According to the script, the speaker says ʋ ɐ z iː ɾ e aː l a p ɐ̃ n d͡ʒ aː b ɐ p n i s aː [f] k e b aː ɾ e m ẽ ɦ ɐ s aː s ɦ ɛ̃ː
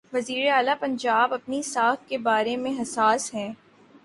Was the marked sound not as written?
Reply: no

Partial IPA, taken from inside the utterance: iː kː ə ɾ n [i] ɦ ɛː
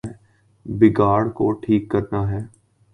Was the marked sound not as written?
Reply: yes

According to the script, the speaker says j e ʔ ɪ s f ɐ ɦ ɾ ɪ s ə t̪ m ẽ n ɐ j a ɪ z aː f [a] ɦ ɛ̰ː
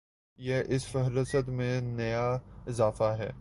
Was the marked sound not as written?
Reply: no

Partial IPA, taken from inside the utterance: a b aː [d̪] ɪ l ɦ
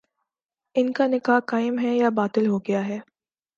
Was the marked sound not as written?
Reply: yes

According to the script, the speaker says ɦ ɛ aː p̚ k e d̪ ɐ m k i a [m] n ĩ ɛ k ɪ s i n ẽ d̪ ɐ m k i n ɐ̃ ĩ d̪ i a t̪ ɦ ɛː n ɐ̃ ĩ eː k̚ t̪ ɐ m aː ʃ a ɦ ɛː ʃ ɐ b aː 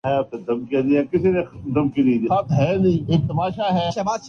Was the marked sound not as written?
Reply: yes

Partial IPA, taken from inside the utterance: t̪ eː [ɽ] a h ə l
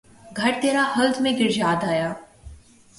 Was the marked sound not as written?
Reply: yes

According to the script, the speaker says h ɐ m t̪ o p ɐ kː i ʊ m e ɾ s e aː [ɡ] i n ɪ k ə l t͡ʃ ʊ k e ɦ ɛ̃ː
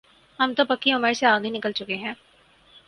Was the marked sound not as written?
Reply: no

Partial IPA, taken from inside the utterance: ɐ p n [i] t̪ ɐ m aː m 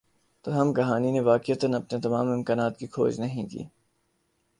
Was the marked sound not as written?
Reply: yes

